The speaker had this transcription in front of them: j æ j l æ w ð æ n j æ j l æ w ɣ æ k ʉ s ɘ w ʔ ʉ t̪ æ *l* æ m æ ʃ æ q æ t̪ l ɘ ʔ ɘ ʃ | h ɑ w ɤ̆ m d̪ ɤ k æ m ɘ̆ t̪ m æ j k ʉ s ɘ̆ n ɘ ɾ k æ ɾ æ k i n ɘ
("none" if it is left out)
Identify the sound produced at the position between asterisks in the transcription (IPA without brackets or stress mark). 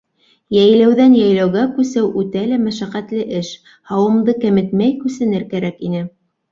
l